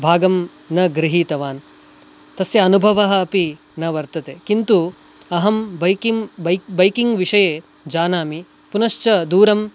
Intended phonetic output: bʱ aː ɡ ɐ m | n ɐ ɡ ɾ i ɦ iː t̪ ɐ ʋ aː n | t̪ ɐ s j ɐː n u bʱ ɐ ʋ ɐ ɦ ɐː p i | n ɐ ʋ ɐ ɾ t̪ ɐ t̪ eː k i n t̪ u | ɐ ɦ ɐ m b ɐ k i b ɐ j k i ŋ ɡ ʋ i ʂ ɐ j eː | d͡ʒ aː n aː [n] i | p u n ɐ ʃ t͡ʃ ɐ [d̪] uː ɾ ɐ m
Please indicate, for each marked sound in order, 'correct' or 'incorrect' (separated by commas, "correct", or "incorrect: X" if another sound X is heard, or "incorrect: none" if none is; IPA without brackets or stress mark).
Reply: incorrect: m, correct